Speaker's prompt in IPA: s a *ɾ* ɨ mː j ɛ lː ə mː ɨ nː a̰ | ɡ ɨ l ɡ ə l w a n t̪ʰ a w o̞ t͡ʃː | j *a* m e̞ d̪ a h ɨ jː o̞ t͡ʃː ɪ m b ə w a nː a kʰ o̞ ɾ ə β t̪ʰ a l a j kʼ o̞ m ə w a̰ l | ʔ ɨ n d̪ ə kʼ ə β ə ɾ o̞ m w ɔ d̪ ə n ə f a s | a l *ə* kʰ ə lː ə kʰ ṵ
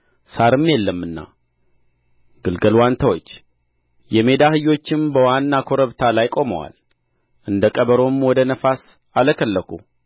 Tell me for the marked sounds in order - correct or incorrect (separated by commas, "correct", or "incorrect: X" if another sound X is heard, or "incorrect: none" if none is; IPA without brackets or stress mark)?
correct, incorrect: ɛ, correct